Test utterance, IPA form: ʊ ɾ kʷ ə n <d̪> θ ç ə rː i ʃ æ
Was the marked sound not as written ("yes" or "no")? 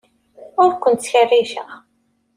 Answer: yes